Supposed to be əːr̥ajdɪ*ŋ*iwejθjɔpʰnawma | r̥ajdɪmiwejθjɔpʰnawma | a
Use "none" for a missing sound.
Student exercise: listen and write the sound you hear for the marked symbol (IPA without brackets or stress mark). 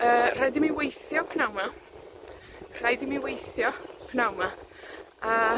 m